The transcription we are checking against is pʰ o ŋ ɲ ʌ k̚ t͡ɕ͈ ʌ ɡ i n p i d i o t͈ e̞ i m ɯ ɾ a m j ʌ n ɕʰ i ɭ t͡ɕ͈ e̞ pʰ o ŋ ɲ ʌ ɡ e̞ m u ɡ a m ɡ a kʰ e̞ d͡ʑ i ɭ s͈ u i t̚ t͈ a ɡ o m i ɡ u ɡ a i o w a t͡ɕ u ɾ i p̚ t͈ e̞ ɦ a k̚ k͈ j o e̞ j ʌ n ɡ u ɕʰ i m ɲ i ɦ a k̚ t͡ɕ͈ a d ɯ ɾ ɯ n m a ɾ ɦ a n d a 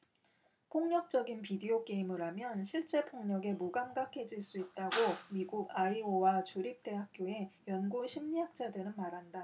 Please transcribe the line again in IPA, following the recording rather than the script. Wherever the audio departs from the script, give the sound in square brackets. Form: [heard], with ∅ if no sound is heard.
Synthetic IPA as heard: pʰ o ŋ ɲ ʌ k̚ t͡ɕ͈ ʌ ɡ i n p i d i o [k͈] e̞ i m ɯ ɾ a m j ʌ n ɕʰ i ɭ t͡ɕ͈ e̞ pʰ o ŋ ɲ ʌ ɡ e̞ m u ɡ a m ɡ a kʰ e̞ d͡ʑ i ɭ s͈ u i t̚ t͈ a ɡ o m i ɡ u ɡ a i o w a t͡ɕ u ɾ i p̚ t͈ e̞ ɦ a k̚ k͈ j o e̞ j ʌ n ɡ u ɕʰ i m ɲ i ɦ a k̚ t͡ɕ͈ a d ɯ ɾ ɯ n m a ɾ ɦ a n d a